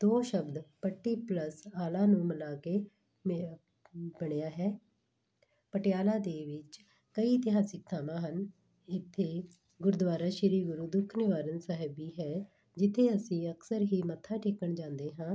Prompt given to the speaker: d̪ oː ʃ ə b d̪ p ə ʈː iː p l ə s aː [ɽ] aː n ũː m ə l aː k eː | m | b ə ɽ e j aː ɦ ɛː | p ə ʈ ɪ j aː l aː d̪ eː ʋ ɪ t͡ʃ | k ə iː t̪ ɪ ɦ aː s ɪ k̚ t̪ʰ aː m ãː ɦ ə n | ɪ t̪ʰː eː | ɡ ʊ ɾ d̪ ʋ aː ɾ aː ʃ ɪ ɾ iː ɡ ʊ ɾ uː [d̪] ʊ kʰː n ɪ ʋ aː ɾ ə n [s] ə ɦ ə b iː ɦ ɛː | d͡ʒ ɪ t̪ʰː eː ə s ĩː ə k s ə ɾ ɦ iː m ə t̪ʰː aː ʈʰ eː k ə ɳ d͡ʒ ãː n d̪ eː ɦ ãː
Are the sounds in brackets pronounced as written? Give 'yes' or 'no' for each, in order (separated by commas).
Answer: no, yes, yes